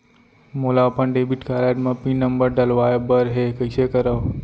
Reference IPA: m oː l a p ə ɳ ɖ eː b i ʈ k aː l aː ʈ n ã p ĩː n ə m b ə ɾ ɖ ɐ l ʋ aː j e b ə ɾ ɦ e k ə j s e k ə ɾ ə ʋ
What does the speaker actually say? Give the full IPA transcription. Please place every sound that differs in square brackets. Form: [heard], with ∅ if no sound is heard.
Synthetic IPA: m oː l a p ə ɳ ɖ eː b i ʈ k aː l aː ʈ [m] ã p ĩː n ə m b ə ɾ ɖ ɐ l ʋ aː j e b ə ɾ ɦ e k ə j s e k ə ɾ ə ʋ